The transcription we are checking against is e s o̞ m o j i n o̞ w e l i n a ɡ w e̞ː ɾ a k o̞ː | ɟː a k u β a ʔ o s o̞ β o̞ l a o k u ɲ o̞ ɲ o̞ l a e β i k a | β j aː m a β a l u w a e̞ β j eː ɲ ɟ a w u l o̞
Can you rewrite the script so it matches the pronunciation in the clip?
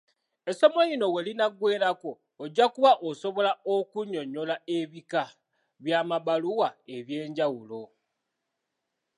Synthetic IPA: e s o̞ m o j i n o̞ w e l i n a ɡ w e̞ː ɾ a k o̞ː | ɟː a k u β a ʔ o s o̞ β o̞ l a o k u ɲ o̞ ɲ o̞ l a e β i k a | β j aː m a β a l u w a e̞ β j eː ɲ ɟ a w u l o̞